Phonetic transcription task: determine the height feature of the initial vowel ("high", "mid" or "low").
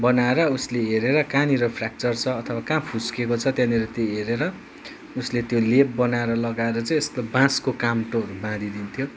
mid